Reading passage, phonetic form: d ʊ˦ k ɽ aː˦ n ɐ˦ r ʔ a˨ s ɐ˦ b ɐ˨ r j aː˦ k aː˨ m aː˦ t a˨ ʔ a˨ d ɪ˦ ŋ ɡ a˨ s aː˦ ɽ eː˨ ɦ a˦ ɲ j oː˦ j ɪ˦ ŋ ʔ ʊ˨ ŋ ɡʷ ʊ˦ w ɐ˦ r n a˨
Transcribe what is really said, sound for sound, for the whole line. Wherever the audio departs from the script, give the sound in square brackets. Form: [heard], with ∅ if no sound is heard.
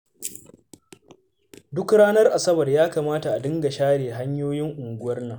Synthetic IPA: d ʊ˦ k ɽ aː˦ n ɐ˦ r ʔ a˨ s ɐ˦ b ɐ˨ r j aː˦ k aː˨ m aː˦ t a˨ ʔ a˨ d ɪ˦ ŋ ɡ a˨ [ʃ] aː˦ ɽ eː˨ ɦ a˦ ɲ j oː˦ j ɪ˦ ŋ ʔ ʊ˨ ŋ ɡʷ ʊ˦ w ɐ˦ r n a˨